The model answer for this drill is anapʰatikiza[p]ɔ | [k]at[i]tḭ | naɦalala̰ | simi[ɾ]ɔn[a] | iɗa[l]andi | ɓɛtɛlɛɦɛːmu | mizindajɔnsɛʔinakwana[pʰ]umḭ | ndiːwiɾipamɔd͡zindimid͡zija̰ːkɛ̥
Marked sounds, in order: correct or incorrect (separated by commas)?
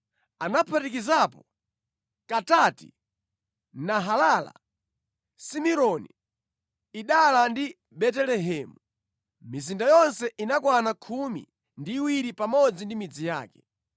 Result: correct, correct, incorrect, correct, incorrect, correct, incorrect